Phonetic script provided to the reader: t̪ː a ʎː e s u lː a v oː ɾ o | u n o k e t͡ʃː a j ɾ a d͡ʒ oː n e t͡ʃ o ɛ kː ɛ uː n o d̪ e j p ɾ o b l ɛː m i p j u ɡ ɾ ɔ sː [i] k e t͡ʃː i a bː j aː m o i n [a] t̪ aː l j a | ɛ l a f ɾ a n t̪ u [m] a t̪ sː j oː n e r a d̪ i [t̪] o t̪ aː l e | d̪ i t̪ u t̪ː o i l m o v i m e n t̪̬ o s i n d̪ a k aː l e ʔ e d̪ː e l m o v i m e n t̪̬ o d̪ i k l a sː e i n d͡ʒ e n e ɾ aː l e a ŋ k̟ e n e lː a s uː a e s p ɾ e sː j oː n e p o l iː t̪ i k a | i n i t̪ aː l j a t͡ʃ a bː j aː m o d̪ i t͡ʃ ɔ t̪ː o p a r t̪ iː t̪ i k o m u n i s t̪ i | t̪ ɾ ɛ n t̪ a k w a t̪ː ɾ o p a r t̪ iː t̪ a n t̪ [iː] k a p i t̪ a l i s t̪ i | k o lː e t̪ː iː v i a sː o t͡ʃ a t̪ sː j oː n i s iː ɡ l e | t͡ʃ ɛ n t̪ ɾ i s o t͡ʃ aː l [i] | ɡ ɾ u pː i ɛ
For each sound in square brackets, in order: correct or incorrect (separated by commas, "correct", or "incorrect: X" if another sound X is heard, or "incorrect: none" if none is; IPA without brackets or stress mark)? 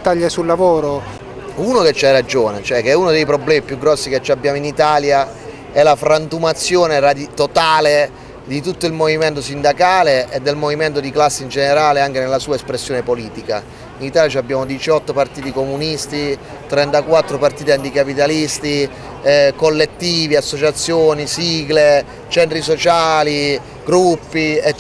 correct, incorrect: i, correct, correct, incorrect: i, correct